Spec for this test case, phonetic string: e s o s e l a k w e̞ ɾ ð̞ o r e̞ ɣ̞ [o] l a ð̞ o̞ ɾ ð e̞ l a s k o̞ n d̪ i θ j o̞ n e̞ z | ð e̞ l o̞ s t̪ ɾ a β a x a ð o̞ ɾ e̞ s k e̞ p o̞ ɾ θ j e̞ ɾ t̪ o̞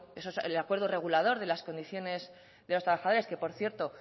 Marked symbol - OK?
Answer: no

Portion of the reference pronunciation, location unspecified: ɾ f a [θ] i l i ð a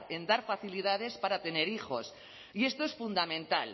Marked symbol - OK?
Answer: yes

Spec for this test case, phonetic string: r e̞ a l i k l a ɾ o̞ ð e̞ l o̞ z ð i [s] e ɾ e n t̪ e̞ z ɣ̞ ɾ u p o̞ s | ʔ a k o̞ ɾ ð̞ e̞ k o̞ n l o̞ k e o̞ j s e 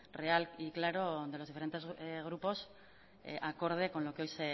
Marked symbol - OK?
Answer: no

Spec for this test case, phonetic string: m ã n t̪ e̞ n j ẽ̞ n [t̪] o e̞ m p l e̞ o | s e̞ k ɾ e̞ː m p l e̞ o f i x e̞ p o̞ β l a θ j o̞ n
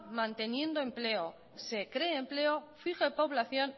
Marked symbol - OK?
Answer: no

